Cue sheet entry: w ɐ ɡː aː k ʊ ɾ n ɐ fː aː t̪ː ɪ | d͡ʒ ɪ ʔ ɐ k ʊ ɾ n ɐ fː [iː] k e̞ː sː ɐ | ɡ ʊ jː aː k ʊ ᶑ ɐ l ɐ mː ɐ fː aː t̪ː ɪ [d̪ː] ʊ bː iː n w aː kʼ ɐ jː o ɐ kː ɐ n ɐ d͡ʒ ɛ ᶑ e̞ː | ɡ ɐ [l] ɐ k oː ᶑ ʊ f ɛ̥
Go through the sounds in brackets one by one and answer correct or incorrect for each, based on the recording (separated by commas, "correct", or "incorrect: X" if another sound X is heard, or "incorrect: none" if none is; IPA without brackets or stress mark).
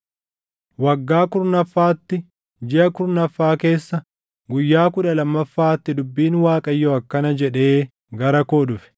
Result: incorrect: aː, incorrect: d̪, incorrect: ɾ